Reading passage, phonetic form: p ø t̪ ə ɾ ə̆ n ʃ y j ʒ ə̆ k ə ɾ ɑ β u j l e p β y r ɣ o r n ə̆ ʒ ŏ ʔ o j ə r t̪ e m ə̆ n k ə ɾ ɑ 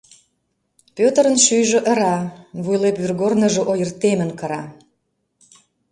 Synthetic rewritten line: p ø t̪ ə ɾ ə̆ n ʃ y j ʒ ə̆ ʔ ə ɾ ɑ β u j l e p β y r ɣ o r n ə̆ ʒ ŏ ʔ o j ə r t̪ e m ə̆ n k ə ɾ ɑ